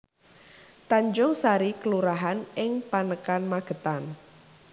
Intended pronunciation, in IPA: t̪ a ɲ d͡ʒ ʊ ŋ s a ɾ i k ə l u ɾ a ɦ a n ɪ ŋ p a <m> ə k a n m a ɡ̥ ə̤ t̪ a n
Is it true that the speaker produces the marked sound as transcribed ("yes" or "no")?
no